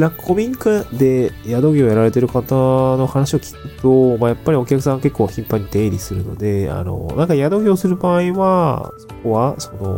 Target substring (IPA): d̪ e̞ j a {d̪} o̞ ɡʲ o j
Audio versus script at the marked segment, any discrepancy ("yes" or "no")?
no